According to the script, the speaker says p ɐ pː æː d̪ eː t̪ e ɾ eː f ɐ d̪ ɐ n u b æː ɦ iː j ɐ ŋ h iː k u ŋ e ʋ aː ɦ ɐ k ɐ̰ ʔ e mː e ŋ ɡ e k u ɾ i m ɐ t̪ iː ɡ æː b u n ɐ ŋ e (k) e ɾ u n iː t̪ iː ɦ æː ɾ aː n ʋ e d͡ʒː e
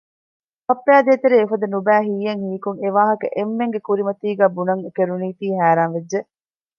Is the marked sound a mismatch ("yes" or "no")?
no